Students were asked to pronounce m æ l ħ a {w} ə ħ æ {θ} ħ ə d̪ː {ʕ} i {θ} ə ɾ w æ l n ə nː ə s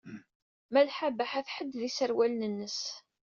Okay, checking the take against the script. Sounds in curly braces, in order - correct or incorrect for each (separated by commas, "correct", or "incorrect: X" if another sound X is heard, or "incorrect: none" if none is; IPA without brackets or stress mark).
incorrect: b, correct, incorrect: ð, incorrect: s